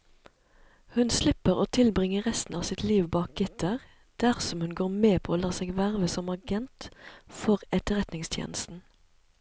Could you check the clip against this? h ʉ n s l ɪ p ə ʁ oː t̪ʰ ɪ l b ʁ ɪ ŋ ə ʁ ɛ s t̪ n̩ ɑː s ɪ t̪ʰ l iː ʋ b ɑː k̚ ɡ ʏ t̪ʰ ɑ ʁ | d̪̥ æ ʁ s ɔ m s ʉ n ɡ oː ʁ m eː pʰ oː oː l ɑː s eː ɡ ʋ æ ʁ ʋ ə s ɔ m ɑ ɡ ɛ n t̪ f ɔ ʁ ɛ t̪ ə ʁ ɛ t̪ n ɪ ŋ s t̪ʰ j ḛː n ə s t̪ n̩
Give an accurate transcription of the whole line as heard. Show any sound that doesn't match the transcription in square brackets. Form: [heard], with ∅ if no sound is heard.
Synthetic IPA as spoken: h ʉ n s l ɪ p ə ʁ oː t̪ʰ ɪ l b ʁ ɪ ŋ ə ʁ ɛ s t̪ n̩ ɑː s ɪ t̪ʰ l iː ʋ b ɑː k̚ ɡ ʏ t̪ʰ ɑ ʁ | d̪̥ æ ʁ s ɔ m [h] ʉ n ɡ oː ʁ m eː pʰ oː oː l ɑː s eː ɡ ʋ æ ʁ ʋ ə s ɔ m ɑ ɡ ɛ n t̪ f ɔ ʁ ɛ t̪ ə ʁ ɛ t̪ n ɪ ŋ s t̪ʰ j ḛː n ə s t̪ n̩